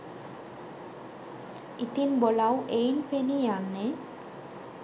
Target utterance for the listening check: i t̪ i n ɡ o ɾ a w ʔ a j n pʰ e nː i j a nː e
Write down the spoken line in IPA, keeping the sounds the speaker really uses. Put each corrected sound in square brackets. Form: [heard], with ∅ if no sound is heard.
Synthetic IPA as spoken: i t̪ i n [b] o [l] a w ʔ [e] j n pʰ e [n] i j a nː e